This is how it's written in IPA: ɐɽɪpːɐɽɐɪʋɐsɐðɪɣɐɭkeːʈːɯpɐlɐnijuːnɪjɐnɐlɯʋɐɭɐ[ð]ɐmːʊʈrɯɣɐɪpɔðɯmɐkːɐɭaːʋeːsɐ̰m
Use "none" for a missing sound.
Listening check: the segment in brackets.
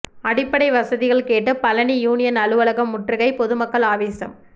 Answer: ɣ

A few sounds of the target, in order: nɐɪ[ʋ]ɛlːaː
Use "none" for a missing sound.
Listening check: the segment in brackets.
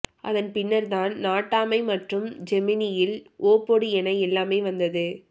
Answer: none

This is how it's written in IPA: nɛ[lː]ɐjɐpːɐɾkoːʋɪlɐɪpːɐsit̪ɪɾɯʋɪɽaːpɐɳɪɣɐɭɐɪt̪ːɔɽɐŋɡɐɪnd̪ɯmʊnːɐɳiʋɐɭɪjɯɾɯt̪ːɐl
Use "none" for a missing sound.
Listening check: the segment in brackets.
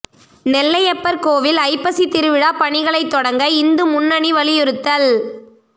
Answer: lː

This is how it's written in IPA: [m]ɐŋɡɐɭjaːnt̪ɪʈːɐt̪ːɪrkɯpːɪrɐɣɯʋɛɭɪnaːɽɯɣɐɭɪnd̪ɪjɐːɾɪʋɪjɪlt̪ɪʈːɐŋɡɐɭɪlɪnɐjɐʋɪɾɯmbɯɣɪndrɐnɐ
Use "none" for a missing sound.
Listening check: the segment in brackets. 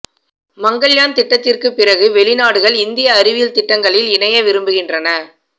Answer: m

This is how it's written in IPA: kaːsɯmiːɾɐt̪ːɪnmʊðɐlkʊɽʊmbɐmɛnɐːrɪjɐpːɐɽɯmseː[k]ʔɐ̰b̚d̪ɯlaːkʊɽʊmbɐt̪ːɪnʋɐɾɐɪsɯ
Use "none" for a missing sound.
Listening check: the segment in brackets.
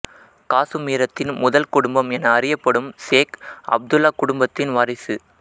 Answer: k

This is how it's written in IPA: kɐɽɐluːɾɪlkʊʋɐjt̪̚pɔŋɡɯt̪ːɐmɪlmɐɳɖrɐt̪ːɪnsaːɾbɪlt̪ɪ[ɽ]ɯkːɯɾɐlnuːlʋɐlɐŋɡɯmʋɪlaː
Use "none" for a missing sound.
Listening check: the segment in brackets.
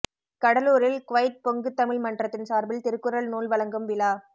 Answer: ɾ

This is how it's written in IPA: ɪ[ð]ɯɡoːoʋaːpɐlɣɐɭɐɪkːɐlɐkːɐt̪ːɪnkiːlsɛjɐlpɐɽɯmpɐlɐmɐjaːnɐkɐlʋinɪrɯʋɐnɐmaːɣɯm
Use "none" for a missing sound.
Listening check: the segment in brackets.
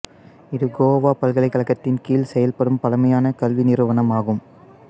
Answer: ð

